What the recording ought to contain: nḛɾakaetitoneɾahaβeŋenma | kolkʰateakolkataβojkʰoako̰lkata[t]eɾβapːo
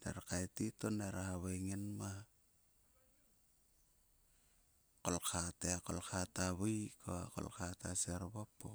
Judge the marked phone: incorrect: s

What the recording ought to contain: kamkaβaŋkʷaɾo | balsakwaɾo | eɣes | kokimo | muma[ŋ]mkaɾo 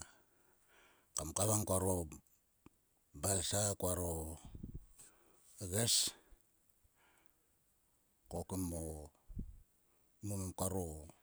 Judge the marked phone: incorrect: none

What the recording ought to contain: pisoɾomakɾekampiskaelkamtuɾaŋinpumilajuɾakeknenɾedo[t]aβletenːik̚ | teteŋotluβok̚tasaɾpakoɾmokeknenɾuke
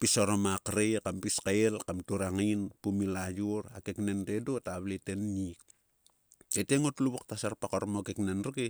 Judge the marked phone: correct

